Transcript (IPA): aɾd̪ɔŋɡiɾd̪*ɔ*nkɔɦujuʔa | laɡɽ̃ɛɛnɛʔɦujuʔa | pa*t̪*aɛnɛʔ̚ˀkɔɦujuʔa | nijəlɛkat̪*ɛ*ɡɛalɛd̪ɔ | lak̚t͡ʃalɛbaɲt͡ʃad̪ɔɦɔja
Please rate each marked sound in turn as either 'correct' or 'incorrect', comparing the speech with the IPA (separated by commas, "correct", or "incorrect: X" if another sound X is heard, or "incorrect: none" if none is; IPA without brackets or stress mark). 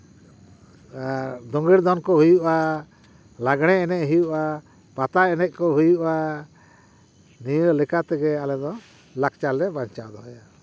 correct, correct, correct